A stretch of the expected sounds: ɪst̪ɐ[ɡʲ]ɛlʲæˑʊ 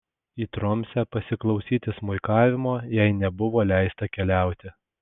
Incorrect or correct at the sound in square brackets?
incorrect: kʲ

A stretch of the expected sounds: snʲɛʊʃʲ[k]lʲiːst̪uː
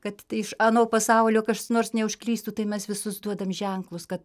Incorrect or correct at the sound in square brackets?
correct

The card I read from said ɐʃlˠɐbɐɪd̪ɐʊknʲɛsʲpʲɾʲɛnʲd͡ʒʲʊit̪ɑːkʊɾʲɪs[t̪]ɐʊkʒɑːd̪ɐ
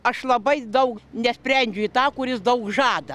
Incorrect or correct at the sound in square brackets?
incorrect: d̪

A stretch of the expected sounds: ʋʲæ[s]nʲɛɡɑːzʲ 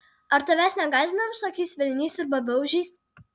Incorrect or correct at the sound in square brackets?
correct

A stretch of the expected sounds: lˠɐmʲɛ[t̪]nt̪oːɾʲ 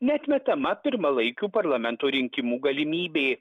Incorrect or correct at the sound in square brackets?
incorrect: none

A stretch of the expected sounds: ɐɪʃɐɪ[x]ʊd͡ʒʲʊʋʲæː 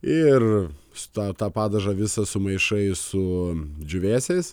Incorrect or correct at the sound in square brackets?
incorrect: s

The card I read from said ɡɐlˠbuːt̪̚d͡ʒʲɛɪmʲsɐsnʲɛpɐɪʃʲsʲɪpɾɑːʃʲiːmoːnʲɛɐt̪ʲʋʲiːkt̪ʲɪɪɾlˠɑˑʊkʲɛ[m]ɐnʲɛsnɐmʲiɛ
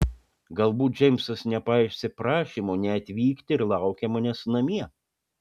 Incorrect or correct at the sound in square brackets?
correct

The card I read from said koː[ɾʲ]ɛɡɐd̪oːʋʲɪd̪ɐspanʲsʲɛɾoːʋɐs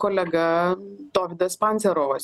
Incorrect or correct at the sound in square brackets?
incorrect: lʲ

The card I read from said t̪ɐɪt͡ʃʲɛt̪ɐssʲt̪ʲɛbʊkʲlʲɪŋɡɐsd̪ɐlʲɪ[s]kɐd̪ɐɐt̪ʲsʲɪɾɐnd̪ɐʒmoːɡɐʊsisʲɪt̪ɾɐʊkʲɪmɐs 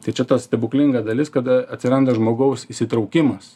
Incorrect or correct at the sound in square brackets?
correct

